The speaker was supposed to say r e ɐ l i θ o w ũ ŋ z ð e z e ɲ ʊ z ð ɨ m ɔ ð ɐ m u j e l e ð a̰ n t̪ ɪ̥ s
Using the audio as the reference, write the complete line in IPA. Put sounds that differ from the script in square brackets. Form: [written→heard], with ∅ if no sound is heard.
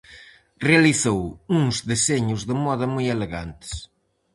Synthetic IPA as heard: r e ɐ l i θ o w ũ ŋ z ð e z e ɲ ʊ z ð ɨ m ɔ ð ɐ m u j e l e [ð→ɣ] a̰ n t̪ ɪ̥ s